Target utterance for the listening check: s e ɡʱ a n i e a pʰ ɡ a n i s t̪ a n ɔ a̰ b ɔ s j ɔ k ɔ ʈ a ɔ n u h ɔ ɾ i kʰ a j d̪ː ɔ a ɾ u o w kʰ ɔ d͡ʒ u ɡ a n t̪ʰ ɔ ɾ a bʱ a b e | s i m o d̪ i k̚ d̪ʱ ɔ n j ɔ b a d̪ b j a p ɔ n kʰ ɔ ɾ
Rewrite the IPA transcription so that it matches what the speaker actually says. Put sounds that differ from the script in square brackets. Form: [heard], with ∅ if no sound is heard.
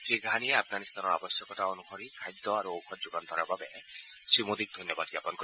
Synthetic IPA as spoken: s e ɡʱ a n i e a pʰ ɡ a n i s t̪ a n ɔ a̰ b ɔ s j ɔ k ɔ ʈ a ɔ n u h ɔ ɾ i kʰ a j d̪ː ɔ a ɾ u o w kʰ ɔ d͡ʒ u ɡ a n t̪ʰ ɔ ɾ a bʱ a b e | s i m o d̪ i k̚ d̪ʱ ɔ n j ɔ b a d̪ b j a p ɔ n [k] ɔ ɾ